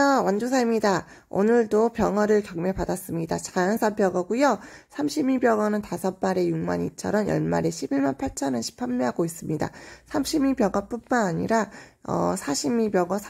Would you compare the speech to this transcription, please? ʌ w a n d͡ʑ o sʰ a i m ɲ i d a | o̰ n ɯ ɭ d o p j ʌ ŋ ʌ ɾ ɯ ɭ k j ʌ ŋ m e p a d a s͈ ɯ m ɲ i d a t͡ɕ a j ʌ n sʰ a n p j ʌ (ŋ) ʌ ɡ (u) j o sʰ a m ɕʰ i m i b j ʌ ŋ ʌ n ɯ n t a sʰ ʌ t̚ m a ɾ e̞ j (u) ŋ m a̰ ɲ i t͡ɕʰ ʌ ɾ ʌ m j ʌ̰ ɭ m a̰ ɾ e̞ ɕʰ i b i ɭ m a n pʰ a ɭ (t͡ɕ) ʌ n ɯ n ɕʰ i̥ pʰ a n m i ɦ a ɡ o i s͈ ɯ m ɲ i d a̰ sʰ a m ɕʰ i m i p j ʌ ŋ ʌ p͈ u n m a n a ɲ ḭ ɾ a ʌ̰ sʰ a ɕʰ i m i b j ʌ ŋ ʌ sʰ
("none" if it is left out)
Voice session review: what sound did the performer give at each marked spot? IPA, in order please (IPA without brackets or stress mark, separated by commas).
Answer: ŋ, u, u, t͡ɕʰ